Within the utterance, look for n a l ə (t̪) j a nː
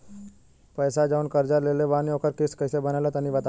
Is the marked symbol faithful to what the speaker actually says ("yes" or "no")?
yes